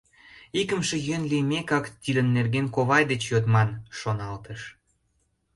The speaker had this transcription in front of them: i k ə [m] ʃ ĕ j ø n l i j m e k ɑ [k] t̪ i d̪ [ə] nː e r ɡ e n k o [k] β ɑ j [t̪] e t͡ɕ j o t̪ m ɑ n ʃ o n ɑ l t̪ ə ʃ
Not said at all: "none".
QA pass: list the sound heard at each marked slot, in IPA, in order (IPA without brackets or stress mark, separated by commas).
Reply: m, k, ə, none, d̪